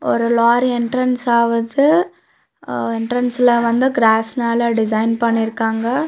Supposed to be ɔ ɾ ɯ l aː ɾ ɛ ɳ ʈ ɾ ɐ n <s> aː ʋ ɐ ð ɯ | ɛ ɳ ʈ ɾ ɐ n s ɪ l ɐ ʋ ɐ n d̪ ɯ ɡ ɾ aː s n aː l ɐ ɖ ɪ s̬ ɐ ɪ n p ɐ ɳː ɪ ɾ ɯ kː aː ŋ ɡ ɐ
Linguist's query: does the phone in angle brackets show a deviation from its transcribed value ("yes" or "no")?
no